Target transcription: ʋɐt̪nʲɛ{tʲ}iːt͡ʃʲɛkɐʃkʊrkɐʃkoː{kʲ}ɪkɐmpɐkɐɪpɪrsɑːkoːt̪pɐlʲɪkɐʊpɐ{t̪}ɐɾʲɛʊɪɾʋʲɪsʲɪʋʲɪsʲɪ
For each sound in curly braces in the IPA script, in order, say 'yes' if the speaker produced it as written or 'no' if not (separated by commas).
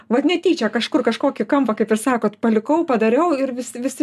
yes, yes, no